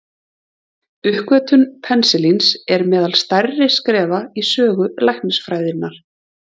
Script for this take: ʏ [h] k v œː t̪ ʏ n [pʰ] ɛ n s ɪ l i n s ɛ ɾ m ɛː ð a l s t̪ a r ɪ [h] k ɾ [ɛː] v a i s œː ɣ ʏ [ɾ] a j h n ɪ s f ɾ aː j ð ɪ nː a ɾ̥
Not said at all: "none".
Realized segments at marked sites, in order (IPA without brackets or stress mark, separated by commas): h, pʰ, s, ɛː, l